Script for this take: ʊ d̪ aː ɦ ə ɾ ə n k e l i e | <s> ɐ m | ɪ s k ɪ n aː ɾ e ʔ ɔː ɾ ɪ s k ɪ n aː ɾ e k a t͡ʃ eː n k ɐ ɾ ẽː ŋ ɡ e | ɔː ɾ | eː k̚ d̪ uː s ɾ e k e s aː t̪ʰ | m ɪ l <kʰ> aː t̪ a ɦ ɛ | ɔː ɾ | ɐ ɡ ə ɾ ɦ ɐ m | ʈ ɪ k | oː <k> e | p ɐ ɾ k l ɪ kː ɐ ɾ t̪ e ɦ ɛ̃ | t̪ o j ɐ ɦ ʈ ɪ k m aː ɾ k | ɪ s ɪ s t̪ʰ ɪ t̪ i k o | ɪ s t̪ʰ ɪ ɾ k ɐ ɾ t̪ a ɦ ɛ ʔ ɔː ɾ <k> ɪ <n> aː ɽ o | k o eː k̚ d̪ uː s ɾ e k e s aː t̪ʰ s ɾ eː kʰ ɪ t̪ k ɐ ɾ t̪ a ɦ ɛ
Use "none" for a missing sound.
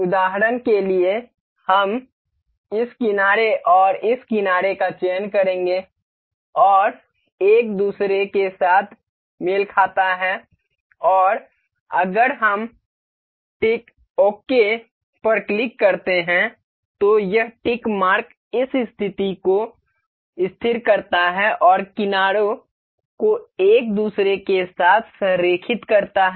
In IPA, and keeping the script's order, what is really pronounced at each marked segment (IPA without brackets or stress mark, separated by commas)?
h, kʰ, k, k, n